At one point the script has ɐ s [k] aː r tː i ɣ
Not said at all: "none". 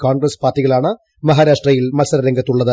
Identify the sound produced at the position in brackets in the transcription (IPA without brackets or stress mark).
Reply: p